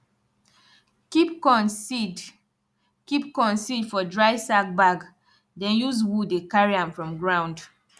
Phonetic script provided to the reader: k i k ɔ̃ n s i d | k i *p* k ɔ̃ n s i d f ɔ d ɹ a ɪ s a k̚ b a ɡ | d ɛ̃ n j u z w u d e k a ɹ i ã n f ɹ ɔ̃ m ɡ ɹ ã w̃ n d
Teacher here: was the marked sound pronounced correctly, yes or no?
yes